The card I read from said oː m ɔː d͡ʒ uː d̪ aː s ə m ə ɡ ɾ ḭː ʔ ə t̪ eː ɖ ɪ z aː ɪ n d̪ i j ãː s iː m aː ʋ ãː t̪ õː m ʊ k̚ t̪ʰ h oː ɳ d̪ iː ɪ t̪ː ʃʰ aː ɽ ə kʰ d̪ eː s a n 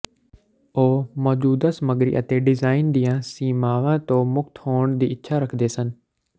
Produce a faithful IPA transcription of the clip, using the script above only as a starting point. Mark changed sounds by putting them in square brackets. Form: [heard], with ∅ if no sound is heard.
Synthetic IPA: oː m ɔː d͡ʒ uː d̪ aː s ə m ə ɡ ɾ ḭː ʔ ə t̪ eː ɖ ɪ z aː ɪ n d̪ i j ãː s iː m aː ʋ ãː t̪ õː m ʊ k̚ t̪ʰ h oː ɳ d̪ iː ɪ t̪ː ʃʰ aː [ɾ] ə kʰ d̪ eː s [ə] n